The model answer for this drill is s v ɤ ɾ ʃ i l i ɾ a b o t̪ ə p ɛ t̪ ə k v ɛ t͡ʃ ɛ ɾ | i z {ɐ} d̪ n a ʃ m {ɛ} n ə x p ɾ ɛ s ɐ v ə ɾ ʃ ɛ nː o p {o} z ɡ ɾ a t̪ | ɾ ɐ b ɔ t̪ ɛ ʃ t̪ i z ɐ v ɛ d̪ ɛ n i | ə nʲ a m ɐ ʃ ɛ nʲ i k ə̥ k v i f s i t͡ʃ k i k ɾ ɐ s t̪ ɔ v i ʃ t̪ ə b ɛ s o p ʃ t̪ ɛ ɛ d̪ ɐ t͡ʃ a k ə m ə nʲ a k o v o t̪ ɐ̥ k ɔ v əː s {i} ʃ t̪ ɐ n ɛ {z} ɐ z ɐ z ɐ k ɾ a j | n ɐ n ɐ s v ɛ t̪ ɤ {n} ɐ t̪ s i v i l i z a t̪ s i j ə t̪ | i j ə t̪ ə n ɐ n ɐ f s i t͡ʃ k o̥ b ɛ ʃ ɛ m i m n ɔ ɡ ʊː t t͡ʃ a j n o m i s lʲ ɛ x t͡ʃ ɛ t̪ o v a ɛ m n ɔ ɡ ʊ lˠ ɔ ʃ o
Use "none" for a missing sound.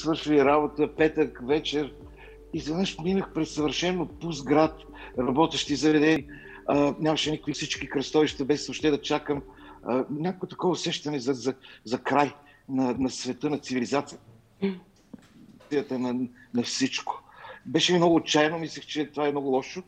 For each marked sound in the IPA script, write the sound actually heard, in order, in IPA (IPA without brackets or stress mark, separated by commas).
ɐ, i, u, ɛ, z, n